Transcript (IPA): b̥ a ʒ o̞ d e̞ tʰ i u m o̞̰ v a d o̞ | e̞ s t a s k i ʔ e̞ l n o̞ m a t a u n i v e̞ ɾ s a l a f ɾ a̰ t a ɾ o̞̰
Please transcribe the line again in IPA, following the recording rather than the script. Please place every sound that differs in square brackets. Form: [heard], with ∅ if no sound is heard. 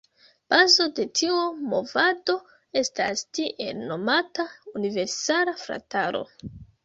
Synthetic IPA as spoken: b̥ a [z] o̞ d e̞ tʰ i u m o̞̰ v a d o̞ | e̞ s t a s [t] i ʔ e̞ l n o̞ m a t a u n i v e̞ ɾ s a l a f ɾ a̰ t a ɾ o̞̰